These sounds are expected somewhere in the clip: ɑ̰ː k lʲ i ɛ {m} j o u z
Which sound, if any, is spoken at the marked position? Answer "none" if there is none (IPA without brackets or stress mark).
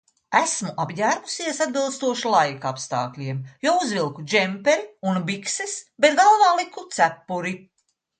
m